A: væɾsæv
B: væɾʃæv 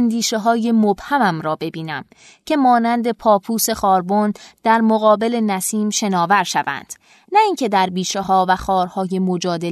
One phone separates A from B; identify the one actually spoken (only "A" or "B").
B